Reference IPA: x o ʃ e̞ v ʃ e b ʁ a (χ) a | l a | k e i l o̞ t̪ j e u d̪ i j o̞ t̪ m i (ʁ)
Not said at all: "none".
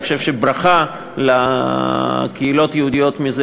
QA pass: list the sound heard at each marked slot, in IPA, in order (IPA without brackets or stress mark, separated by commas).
χ, z